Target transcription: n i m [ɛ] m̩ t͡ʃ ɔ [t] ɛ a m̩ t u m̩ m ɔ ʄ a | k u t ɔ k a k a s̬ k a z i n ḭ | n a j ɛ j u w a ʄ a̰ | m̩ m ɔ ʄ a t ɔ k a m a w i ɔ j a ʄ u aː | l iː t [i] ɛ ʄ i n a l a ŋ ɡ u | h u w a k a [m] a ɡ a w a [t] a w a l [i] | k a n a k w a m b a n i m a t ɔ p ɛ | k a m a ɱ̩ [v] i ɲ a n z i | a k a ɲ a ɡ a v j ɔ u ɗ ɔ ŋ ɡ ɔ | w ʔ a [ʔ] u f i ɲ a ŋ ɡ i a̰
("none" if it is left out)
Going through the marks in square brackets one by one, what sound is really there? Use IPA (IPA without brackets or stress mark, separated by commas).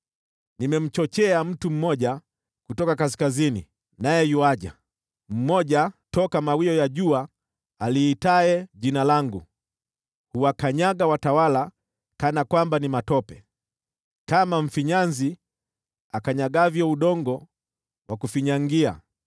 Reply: ɛ, t͡ʃ, a, ɲ, t, a, f, k